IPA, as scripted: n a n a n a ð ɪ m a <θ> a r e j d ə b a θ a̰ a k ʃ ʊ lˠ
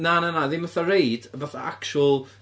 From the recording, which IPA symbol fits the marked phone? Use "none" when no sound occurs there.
θ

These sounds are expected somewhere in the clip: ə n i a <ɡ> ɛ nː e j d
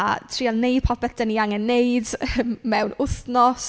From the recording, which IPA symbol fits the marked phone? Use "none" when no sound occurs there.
ŋ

